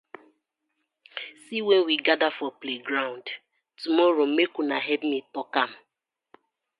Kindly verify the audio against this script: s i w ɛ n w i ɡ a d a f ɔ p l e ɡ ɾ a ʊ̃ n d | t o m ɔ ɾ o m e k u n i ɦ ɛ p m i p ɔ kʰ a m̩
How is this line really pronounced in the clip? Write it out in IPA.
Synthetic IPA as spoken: s i w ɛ n w i ɡ a d a f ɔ p l e ɡ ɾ a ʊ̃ n d | t u m ɔ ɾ o m e k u n a ɦ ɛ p m i t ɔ k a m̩